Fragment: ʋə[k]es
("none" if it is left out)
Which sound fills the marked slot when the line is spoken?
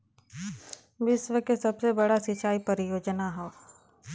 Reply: k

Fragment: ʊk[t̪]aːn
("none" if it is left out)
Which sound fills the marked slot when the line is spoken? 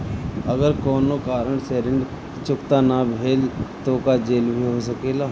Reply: t̪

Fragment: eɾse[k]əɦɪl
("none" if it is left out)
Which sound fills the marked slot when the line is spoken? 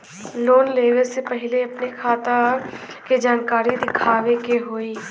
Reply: p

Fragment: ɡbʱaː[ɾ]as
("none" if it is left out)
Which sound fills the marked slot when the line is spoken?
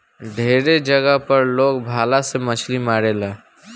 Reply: l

